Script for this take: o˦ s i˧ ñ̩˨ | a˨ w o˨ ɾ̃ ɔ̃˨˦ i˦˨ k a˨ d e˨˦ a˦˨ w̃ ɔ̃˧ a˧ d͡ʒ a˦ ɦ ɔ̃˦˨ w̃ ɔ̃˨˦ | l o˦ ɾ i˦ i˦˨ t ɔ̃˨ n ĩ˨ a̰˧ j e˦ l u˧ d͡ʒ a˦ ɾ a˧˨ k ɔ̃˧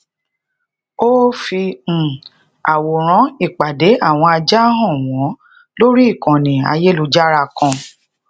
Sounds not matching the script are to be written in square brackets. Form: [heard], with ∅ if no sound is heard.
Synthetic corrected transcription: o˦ [f] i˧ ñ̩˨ | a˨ w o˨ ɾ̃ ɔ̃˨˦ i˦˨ [k͡p] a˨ d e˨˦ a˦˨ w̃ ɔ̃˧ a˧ d͡ʒ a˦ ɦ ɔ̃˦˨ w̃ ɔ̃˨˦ | l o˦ ɾ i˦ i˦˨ [k] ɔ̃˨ n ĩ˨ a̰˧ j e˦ l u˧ d͡ʒ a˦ ɾ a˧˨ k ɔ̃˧